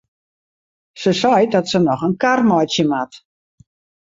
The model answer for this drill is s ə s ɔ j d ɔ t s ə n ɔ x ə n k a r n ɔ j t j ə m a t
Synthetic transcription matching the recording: s ə s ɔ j d ɔ t s ə n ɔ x ə n k a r m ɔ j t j ə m a t